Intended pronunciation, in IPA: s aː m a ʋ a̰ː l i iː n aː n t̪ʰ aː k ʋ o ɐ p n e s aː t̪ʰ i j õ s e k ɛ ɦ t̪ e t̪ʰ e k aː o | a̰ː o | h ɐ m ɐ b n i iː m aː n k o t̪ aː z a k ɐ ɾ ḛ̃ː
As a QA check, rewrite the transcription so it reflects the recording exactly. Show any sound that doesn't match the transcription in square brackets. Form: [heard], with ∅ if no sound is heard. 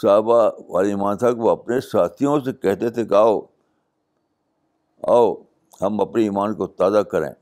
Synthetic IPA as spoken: s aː [b] a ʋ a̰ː l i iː [m] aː n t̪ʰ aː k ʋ o ɐ p n e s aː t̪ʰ i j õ s e k ɛ ɦ t̪ e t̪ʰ e k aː o | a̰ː o | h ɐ m ɐ [p] n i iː m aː n k o t̪ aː z a k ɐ ɾ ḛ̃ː